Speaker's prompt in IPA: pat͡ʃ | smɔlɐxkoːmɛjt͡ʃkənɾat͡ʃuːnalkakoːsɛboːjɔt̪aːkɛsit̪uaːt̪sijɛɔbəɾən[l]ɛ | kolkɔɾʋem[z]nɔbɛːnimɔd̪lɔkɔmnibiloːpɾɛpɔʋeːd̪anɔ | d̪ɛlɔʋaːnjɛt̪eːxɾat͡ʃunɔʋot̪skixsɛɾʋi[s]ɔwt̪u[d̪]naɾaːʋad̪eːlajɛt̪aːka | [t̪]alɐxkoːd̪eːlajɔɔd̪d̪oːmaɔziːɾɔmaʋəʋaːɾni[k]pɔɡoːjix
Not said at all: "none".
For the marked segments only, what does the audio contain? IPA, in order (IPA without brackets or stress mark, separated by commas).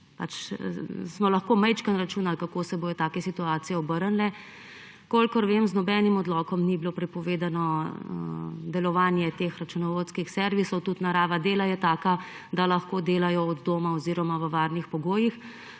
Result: l, z, s, t̪, d̪, x